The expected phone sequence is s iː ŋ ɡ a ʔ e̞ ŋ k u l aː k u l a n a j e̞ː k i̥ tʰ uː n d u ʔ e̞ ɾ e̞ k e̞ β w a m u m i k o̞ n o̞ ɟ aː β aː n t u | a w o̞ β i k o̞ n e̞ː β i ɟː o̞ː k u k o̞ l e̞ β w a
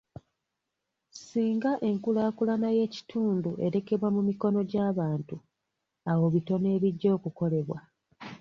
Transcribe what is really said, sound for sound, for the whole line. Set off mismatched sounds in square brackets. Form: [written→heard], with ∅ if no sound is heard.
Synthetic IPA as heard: s iː ŋ ɡ a ʔ e̞ ŋ k u l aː k u l a n a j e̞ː [k→c] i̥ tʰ uː n d u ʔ e̞ ɾ e̞ k e̞ β w a m u m i k o̞ n o̞ ɟ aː β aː n t u | a w o̞ β i [k→t] o̞ n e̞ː β i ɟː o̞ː k u k o̞ l e̞ β w a